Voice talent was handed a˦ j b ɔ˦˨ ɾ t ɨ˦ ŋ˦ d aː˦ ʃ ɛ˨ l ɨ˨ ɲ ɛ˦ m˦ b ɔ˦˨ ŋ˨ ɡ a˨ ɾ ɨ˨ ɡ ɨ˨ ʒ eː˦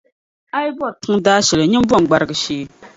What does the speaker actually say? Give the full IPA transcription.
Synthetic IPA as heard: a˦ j b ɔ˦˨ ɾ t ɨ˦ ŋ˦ d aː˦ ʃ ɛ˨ l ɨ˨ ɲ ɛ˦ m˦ b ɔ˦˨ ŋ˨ ɡ͡b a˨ ɾ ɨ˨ ɡ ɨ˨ ʃ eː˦

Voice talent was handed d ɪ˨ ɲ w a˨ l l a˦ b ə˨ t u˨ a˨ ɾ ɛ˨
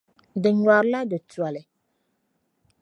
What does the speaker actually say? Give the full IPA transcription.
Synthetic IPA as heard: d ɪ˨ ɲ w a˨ ɾ l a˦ d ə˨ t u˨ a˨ l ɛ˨

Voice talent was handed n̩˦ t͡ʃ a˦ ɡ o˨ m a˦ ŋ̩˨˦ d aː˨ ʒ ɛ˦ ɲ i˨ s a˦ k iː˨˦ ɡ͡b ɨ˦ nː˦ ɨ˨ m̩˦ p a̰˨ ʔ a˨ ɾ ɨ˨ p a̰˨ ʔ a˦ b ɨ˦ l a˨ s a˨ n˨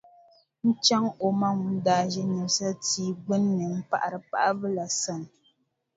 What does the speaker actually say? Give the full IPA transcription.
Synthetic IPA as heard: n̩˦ t͡ʃ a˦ ŋ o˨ m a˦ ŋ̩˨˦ d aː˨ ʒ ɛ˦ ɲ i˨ s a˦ t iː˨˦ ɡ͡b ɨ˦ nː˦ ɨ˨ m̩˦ p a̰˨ ʔ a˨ ɾ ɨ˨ p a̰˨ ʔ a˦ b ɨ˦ l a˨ s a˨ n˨

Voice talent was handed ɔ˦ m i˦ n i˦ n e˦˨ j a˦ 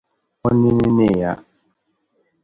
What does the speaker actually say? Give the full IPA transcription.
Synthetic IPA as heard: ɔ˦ n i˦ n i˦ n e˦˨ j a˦

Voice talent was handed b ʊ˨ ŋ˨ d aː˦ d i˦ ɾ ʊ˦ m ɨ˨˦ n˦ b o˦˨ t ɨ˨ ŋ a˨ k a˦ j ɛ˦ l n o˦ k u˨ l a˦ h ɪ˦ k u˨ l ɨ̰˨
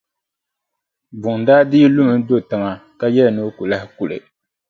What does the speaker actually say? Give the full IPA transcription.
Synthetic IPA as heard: b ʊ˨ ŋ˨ d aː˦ d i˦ l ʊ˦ m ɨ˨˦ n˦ d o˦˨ t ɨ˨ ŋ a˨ k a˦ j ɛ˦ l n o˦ k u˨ l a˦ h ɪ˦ k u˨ l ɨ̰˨

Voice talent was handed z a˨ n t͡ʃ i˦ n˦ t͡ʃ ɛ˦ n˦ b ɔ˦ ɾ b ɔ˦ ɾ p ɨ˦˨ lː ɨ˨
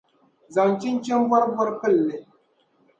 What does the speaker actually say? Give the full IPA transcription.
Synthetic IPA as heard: z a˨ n t͡ʃ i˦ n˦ t͡ʃ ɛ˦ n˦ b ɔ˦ ɾ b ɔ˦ ɾ p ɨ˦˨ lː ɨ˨

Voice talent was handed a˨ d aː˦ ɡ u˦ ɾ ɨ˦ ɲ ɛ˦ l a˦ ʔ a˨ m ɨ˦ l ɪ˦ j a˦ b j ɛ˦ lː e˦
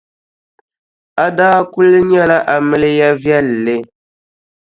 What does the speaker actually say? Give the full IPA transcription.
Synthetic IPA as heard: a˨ d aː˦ k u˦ l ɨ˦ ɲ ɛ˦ l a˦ ʔ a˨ m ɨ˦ l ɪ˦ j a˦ v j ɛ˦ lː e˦

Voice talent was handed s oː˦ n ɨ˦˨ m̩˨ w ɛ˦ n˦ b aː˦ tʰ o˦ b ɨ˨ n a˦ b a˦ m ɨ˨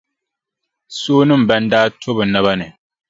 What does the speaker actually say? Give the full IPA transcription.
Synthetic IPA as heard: s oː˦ n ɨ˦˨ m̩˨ b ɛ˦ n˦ d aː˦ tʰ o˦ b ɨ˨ n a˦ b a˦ n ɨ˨

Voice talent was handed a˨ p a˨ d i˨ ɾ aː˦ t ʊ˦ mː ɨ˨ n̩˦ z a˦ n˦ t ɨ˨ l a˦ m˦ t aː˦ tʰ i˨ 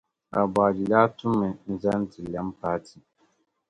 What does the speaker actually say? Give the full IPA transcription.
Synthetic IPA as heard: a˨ b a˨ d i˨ l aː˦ t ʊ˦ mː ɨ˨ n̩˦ z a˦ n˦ t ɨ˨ l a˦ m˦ p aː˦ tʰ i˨

